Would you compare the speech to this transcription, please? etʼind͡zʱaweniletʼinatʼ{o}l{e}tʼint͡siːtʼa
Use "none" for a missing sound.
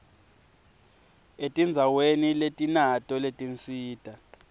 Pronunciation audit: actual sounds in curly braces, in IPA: ɔ, e

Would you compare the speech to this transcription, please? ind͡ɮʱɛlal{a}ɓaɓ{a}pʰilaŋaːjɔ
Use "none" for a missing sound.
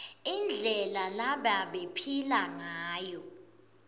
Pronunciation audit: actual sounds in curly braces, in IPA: a, e

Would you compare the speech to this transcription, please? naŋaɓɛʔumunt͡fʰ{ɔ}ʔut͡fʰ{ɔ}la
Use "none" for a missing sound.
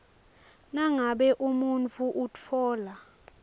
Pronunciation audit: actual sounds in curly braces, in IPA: u, ɔː

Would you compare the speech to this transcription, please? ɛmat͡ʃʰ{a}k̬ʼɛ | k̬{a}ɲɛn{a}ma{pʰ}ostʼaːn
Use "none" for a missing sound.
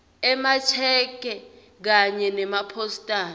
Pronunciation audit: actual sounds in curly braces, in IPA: ɛ, a, ɛ, pʰ

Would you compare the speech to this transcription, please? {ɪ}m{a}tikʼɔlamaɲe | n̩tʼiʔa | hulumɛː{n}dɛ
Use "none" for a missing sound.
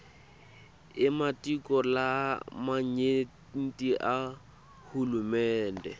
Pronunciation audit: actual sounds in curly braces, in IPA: ɪ, a, n

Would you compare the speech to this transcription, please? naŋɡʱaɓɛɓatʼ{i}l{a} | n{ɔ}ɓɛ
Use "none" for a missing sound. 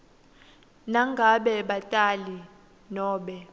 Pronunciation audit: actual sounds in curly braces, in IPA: a, i, ɔː

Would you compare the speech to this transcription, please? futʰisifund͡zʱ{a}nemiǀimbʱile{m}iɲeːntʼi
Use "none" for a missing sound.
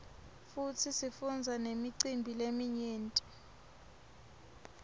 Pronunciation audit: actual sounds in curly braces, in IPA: a, m

